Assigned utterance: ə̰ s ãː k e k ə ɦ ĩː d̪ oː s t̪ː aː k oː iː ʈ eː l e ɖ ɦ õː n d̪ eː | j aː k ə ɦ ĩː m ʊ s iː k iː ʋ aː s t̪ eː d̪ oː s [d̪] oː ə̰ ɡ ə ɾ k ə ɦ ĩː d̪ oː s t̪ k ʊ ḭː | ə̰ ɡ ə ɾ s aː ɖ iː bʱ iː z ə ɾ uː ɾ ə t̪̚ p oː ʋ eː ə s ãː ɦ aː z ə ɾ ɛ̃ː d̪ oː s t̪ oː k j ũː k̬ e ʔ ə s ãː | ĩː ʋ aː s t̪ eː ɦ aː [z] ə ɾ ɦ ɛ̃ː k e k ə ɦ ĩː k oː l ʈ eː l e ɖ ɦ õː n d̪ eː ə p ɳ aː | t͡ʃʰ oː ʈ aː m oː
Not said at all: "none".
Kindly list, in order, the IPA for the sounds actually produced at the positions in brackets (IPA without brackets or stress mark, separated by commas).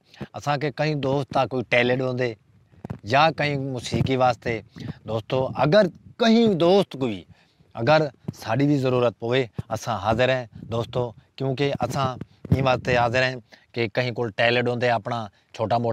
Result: t̪, z